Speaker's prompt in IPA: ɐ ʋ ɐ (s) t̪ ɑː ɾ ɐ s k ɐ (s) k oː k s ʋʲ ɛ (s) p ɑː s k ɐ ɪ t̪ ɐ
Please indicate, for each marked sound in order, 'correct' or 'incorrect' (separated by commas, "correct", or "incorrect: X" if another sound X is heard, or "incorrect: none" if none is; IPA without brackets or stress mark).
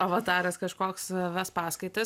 incorrect: none, incorrect: ʃ, correct